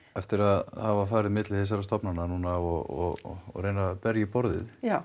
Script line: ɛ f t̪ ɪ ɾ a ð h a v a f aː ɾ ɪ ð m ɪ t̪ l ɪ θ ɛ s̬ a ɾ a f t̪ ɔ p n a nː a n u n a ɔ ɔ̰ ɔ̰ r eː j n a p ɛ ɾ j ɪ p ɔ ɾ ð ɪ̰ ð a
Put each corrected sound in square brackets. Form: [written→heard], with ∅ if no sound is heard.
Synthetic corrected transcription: ɛ f t̪ ɪ ɾ a ð h a v a f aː ɾ ɪ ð m ɪ t̪ l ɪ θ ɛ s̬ a ɾ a [f→s] t̪ ɔ p n a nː a n u n a ɔ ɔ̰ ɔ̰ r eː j n a p ɛ ɾ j ɪ p ɔ ɾ ð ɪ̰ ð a